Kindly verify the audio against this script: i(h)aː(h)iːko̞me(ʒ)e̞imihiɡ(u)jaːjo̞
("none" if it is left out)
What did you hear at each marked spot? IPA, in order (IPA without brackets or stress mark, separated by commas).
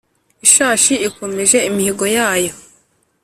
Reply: ʃ, ʃ, ʒ, o